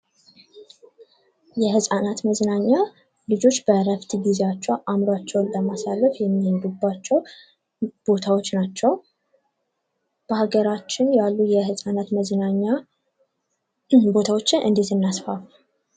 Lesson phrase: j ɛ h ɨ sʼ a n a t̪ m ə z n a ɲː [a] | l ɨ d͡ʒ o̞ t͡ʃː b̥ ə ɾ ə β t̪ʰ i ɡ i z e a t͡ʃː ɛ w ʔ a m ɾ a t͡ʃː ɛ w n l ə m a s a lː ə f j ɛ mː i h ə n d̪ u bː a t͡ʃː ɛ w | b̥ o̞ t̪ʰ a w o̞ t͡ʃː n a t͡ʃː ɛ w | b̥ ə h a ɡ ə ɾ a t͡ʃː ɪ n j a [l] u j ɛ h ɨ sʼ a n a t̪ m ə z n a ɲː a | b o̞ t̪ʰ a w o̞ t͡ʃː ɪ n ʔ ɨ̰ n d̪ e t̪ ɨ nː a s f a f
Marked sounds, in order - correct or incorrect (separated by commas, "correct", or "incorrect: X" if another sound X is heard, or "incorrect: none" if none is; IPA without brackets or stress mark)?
correct, incorrect: lː